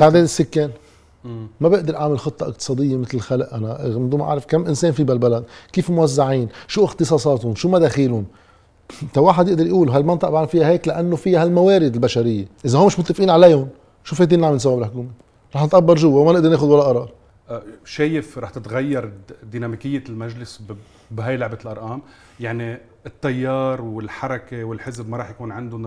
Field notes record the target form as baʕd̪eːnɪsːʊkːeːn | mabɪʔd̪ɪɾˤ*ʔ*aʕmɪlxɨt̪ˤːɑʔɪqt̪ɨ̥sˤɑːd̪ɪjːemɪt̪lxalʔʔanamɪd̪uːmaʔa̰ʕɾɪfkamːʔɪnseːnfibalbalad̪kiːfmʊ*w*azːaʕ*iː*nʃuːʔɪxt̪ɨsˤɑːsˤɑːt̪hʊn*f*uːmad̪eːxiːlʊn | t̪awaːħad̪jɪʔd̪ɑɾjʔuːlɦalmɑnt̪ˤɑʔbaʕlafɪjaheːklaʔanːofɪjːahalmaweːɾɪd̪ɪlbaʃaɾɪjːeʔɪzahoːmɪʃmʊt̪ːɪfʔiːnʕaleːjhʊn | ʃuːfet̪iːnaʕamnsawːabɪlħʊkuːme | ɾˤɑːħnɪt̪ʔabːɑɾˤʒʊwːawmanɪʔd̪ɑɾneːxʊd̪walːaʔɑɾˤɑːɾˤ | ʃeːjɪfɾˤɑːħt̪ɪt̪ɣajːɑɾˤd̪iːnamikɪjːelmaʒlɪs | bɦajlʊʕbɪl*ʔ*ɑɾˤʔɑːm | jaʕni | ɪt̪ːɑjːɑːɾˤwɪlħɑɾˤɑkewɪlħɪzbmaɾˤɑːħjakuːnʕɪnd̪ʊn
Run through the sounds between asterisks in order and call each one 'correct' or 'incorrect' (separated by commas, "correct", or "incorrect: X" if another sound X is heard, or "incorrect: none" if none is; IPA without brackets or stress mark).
correct, correct, correct, incorrect: ʃ, correct